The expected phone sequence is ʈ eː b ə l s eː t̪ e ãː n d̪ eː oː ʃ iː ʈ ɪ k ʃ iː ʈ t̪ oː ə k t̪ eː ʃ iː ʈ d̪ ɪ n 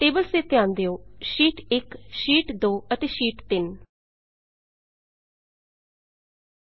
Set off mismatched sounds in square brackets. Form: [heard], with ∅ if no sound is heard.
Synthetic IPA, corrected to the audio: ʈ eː b ə l s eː t̪ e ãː n d̪ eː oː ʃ iː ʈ ɪ k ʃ iː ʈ [d̪] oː ə [∅] t̪ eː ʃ iː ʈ [t̪] ɪ n